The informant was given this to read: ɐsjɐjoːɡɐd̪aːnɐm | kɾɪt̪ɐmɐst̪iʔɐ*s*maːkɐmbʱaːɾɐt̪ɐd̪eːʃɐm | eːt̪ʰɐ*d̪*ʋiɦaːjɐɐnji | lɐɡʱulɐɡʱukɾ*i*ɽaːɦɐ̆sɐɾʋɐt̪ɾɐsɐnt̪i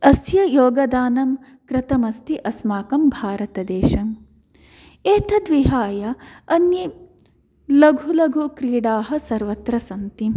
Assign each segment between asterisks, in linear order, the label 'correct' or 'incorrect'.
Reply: correct, correct, incorrect: iː

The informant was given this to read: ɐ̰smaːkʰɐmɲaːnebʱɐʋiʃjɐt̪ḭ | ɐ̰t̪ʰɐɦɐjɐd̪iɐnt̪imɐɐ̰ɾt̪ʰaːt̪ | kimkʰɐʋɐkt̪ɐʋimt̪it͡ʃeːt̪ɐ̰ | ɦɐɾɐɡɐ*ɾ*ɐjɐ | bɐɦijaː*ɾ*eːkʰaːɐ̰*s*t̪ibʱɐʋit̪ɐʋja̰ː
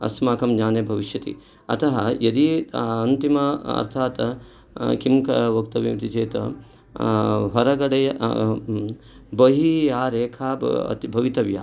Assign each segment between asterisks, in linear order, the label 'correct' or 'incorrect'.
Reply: incorrect: ɽ, correct, incorrect: none

